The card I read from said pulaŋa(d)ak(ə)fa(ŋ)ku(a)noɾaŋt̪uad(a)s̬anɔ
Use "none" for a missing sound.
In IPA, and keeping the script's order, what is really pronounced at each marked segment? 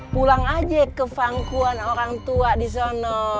d͡ʒ, ə, ŋ, a, i

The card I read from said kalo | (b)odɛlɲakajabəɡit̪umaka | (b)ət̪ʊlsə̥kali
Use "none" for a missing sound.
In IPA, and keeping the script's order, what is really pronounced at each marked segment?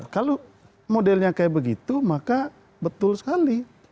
m, b

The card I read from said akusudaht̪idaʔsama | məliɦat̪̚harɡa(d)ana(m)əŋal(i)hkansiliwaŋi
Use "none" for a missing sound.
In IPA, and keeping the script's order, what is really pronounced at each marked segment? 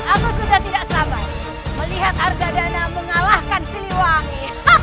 d, m, a

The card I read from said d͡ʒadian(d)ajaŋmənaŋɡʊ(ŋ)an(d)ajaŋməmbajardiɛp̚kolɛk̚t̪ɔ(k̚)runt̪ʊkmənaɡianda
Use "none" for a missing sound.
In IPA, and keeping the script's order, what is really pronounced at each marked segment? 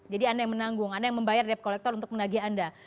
d, ŋ, d, none

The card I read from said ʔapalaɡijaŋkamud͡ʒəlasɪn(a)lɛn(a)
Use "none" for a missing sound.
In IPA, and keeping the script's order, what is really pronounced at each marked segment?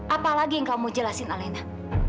a, a

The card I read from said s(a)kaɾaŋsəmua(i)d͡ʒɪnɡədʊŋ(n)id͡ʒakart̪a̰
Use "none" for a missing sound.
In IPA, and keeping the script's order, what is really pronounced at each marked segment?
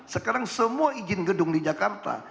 ə, i, d

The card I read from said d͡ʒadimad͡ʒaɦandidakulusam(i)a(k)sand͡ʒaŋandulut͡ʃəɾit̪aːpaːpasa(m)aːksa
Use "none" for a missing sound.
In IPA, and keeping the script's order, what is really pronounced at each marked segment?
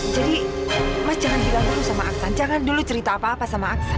a, k, m

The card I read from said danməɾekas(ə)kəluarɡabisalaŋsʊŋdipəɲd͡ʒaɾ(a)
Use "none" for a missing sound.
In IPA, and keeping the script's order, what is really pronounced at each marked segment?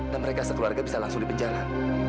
ə, a

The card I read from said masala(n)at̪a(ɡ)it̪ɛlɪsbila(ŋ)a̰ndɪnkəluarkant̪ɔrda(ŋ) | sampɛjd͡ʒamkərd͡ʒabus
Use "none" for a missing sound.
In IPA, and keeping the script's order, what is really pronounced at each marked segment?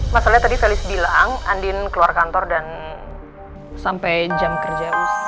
ɲ, d, ŋ, n

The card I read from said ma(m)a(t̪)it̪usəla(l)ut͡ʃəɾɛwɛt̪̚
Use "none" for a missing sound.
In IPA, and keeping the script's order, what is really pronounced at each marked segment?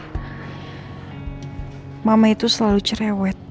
m, none, l

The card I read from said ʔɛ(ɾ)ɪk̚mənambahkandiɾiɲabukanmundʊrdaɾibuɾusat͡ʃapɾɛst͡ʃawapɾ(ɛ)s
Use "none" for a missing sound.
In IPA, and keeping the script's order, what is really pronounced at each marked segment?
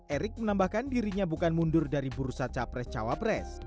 ɾ, ɛ

